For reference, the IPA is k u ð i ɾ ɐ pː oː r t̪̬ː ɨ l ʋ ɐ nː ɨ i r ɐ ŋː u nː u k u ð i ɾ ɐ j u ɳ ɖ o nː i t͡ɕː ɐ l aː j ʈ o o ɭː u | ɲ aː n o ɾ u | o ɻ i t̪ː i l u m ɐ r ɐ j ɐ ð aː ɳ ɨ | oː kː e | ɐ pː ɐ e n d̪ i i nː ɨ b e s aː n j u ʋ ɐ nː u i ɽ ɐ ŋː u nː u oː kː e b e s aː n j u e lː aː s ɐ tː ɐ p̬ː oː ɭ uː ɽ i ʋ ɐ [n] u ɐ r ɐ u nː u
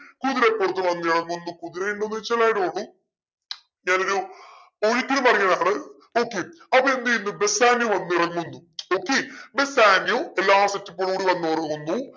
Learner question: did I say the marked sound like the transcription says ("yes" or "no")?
no